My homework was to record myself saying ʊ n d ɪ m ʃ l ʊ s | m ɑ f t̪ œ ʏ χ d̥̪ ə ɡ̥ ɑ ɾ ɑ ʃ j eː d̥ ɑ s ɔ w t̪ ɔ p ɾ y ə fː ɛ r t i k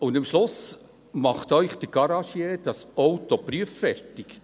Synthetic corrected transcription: ʊ n d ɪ m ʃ l ʊ s | m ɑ χ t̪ œ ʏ χ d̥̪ ə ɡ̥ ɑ ɾ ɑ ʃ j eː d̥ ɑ s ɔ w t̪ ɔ p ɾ y ə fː ɛ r t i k